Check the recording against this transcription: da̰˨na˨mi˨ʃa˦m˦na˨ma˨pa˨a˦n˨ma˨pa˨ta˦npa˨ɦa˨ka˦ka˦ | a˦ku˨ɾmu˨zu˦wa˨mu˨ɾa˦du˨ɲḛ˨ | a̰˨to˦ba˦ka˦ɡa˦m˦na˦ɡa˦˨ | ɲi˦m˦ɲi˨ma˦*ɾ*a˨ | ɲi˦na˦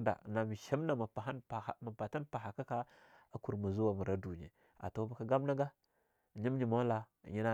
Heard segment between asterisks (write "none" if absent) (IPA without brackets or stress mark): l